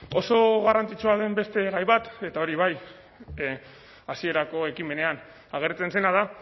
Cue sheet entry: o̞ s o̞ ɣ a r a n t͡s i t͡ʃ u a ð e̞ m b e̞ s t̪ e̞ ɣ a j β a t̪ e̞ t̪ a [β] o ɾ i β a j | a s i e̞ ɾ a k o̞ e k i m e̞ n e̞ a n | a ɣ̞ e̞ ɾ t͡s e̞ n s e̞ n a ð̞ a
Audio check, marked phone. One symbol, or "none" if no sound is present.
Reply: none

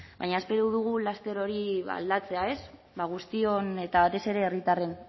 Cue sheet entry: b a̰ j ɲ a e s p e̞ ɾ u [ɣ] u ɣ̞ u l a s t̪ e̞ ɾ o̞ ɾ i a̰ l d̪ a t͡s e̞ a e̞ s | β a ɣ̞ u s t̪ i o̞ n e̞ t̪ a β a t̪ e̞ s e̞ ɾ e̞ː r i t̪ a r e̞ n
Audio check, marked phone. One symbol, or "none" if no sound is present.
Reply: ð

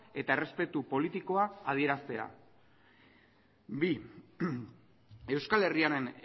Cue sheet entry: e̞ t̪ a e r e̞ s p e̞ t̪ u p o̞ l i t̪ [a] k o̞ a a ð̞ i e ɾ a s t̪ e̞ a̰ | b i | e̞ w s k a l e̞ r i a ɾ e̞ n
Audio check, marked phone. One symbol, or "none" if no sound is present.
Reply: i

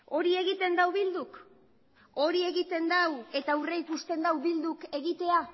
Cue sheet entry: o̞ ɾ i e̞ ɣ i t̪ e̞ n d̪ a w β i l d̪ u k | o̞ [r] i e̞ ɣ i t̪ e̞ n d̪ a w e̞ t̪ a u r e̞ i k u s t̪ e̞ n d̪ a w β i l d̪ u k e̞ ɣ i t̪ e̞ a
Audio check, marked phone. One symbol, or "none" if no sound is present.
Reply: ɾ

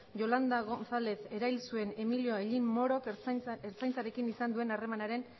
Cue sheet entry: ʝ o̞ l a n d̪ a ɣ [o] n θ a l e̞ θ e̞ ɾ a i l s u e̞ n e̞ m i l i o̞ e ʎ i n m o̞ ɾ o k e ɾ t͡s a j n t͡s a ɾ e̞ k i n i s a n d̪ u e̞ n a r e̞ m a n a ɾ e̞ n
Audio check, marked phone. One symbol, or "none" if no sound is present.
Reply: o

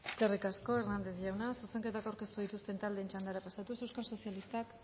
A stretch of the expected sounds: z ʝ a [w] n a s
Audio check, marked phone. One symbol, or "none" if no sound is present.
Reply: w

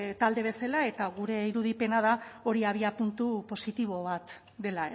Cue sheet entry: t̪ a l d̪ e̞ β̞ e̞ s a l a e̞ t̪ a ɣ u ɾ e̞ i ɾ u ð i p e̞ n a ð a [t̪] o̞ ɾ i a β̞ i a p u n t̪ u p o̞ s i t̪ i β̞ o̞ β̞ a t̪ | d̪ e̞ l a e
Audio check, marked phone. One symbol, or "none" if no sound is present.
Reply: none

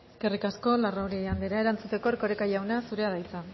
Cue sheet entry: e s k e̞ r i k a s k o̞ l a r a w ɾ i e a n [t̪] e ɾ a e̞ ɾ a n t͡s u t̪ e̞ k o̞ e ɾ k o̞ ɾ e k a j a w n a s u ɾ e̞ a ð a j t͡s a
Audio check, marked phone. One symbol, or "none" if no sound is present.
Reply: d̪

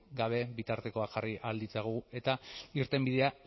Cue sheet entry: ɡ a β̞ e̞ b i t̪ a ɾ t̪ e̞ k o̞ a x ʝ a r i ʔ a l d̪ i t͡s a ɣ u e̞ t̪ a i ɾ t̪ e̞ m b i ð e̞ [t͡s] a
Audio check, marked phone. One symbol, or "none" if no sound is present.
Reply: none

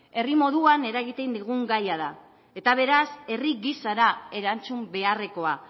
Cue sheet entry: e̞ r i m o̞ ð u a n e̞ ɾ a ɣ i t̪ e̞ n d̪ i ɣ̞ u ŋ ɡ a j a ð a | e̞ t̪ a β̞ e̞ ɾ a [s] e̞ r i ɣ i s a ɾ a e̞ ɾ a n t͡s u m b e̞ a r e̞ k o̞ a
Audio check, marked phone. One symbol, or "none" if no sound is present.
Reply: s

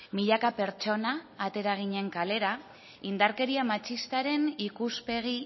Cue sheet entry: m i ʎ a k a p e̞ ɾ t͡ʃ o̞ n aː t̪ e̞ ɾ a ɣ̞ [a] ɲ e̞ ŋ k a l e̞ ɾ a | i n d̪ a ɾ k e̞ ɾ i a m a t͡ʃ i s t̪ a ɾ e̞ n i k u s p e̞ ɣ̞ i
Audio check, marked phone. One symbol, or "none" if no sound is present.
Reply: i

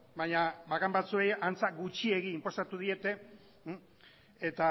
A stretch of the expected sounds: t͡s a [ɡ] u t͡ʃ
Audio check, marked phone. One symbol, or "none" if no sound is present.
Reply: ɡ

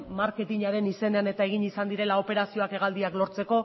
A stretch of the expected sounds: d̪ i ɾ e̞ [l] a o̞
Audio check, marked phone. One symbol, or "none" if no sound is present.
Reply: l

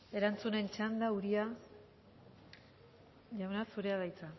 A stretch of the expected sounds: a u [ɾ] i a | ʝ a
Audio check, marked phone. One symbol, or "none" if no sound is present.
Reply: ɾ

